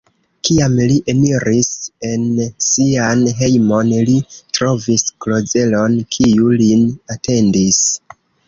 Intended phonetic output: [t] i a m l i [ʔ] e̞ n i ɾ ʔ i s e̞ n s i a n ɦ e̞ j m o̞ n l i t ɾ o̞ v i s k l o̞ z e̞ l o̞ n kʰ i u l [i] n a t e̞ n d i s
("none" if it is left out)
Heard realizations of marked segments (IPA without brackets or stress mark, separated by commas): k, ʔ, i